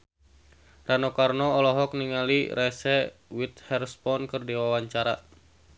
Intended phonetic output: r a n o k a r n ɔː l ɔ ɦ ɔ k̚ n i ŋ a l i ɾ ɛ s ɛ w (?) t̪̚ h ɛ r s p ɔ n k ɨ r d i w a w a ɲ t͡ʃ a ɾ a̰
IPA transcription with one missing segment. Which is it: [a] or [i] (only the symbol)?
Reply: i